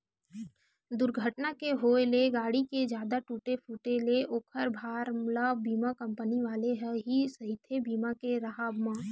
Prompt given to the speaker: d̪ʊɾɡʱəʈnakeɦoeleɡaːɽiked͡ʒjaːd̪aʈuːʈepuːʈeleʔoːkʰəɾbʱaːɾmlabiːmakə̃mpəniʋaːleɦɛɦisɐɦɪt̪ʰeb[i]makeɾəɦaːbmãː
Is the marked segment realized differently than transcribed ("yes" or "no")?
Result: yes